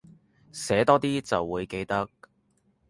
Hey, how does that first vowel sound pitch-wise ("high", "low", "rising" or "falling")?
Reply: rising